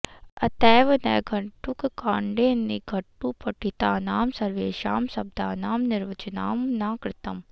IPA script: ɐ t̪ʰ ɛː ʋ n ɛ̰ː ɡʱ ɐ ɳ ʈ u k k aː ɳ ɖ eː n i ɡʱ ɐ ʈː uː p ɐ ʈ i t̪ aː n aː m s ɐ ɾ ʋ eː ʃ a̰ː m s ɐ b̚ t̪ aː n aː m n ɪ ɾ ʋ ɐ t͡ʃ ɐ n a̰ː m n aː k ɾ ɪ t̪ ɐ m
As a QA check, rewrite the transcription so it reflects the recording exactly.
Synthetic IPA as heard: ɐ t̪ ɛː ʋ n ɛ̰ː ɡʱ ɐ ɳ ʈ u k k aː ɳ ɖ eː n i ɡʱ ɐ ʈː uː p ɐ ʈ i t̪ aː n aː m s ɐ ɾ ʋ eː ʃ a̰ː m s ɐ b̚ d̪ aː n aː m n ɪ ɾ ʋ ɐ t͡ʃ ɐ n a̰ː m n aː k ɾ ɪ t̪ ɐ m